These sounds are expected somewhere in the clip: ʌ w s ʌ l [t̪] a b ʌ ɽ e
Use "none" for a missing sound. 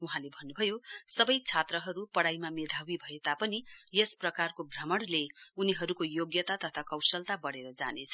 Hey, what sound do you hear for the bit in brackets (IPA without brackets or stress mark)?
t̪